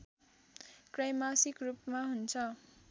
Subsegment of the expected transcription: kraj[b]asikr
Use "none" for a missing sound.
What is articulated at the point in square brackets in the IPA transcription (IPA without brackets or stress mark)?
m